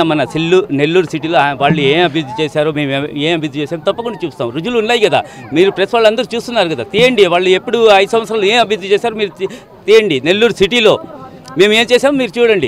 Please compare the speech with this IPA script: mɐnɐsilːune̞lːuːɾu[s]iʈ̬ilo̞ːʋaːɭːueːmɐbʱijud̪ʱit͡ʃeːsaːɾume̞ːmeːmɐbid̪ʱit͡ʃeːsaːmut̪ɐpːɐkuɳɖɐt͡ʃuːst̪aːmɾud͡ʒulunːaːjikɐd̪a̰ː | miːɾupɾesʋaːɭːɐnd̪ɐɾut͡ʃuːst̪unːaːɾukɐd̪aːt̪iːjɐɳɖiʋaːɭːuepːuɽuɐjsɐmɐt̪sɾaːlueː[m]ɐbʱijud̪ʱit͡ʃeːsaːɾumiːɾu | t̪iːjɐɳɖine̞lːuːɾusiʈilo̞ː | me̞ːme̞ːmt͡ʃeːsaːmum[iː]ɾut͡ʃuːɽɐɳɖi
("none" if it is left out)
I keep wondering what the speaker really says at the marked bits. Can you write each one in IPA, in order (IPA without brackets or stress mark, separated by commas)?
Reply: s, m, iː